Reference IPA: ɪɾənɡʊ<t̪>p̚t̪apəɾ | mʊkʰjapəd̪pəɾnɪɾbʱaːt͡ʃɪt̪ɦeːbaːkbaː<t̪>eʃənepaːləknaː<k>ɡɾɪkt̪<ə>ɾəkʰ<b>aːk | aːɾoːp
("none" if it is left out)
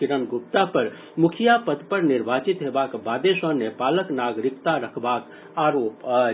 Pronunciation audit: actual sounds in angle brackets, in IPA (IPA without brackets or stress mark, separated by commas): none, d̪, none, a, b